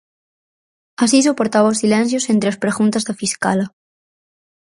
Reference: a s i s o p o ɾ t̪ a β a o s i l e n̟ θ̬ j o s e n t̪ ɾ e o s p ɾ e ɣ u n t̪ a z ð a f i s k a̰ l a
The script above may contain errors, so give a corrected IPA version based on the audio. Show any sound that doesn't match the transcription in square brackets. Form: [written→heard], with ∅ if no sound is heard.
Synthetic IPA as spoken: a s i s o p o ɾ t̪ a β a o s i l e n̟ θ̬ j o s e n t̪ ɾ e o s p ɾ e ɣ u n t̪ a z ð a f i s k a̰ l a